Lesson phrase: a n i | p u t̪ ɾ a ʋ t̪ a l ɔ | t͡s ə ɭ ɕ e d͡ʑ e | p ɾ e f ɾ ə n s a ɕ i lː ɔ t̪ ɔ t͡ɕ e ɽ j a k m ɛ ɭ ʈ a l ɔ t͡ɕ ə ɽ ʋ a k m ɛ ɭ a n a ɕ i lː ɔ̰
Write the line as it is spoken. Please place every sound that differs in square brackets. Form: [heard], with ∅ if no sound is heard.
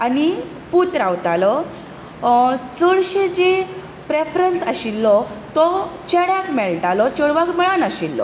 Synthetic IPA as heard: a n i | p u t̪ ɾ a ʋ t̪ a l ɔ | t͡s ə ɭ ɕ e d͡ʑ e | p ɾ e f ɾ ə n s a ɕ i lː ɔ t̪ ɔ t͡ɕ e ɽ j a k m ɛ ɭ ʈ a l ɔ t͡ɕ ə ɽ ʋ a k m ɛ ɭ a n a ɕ i lː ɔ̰